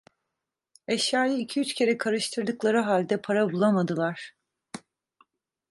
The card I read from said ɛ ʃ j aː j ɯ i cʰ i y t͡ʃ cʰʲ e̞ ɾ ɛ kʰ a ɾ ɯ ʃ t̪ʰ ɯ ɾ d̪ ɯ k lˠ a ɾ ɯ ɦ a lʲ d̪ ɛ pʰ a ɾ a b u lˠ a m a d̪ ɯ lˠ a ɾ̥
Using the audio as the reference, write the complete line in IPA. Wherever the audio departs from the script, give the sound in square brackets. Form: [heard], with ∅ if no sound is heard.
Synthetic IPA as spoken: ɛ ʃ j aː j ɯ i cʰ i y t͡ʃ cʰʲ e̞ ɾ ɛ kʰ a ɾ ɯ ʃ t̪ʰ ɯ ɾ d̪ ɯ k lˠ a ɾ ɯ ɦ a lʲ d̪ ɛ pʰ a ɾ a b u lˠ a m a d̪ ɯ lˠ a ɾ̥